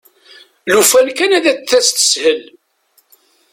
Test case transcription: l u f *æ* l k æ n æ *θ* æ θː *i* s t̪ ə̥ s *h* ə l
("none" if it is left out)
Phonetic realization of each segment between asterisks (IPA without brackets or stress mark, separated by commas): æ, ð, æ, h